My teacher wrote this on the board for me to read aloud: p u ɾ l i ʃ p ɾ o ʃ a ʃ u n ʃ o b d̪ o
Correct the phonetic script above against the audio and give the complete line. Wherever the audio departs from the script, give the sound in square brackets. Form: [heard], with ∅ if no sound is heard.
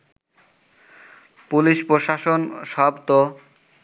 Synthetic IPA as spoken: p u [∅] l i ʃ p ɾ o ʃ a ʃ [o] n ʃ [ɔ] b [t̪] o